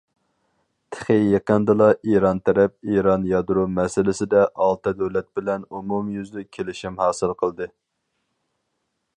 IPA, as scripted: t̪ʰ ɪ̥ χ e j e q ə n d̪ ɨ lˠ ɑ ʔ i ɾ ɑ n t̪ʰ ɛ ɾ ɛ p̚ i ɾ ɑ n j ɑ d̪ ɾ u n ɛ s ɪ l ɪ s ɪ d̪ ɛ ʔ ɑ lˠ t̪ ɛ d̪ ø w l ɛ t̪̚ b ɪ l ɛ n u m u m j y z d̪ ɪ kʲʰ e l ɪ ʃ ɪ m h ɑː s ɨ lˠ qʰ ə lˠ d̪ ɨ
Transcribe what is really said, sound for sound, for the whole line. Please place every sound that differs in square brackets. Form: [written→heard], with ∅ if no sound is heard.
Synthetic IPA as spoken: t̪ʰ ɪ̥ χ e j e q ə n d̪ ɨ lˠ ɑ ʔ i ɾ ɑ n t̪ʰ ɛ ɾ ɛ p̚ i ɾ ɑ n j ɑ d̪ ɾ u [n→m] ɛ s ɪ l ɪ s ɪ d̪ ɛ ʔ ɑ lˠ t̪ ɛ d̪ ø w l ɛ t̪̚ b ɪ l ɛ n u m u m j y z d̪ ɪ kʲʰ e l ɪ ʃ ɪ m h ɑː s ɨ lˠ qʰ ə lˠ d̪ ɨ